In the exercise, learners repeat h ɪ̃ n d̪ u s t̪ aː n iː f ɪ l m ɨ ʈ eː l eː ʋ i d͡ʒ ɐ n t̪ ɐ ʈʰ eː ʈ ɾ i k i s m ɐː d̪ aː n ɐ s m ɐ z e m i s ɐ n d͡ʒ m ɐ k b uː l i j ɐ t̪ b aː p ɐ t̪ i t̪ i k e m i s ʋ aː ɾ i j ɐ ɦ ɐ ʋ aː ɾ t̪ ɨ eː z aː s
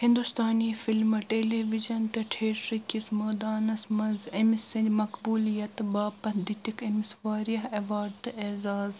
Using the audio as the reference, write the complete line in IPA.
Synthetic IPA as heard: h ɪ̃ n d̪ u s t̪ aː n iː f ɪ l m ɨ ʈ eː l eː ʋ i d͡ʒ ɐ n t̪ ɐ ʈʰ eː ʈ ɾ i k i s m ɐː d̪ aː n ɐ s m ɐ z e m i s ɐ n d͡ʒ m ɐ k b uː l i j ɐ t̪ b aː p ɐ d̪ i t̪ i k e m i s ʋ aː ɾ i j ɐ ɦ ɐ ʋ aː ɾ t̪ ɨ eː z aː z